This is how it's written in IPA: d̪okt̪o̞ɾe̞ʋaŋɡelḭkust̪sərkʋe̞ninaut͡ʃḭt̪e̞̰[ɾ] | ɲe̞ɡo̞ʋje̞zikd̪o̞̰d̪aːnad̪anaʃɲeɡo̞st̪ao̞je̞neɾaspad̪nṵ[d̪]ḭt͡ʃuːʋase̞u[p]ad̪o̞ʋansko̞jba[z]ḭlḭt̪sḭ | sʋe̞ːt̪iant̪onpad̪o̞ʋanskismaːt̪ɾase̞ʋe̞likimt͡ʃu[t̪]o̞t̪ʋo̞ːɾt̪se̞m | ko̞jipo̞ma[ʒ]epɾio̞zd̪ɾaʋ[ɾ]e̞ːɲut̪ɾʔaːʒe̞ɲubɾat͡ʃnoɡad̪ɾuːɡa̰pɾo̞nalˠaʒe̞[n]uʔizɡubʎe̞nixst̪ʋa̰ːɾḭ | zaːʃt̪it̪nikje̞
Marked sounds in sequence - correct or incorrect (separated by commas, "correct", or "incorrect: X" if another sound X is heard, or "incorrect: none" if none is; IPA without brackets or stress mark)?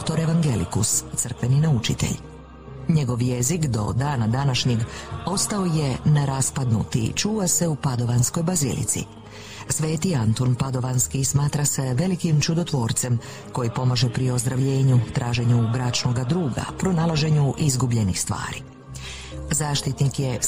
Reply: incorrect: ʎ, incorrect: t̪, correct, correct, incorrect: d̪, correct, incorrect: ʎ, incorrect: ɲ